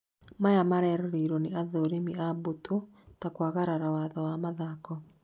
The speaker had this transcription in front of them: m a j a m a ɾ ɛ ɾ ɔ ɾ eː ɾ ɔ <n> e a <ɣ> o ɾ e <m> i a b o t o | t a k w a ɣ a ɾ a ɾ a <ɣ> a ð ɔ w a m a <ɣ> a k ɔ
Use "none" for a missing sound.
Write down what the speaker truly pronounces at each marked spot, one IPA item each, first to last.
n, ð, m, w, ð

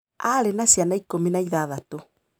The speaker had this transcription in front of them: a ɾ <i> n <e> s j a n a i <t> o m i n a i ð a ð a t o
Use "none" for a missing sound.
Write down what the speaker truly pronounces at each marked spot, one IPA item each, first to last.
e, a, k

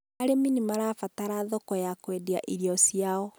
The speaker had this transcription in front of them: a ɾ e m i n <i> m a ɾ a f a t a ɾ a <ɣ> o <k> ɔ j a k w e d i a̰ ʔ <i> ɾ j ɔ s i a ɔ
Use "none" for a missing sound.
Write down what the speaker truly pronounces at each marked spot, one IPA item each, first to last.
i, ð, k, i

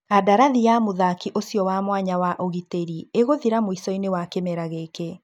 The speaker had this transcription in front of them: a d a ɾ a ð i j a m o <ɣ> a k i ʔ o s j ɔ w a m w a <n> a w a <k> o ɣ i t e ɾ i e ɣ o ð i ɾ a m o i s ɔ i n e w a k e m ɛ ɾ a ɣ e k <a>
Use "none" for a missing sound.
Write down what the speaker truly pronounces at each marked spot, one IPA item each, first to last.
ð, ɲ, ʔ, e

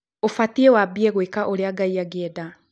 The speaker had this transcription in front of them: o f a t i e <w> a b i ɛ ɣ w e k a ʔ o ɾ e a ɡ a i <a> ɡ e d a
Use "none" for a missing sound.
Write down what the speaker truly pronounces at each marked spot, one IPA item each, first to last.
w, a

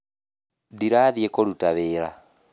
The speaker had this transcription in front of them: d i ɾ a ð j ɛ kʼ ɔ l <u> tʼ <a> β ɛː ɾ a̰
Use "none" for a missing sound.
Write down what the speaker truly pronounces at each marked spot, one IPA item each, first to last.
u, a

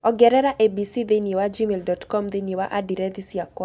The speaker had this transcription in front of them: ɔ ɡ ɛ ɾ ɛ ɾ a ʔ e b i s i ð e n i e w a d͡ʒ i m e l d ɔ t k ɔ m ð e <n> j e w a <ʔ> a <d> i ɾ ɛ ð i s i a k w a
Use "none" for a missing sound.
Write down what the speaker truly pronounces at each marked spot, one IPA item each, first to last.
n, ʔ, d

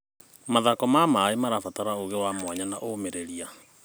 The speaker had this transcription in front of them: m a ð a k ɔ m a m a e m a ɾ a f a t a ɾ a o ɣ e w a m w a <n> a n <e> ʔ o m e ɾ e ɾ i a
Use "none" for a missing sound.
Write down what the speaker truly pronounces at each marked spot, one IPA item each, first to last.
ɲ, a

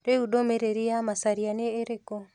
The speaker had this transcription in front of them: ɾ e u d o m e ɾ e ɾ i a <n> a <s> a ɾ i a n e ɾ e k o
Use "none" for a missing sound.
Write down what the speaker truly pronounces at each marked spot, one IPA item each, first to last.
m, s

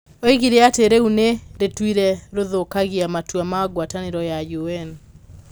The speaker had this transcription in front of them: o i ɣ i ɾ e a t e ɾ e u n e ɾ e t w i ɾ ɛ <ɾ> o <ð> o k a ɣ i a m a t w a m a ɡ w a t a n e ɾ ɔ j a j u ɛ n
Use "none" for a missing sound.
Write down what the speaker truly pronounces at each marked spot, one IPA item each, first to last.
ɾ, ð

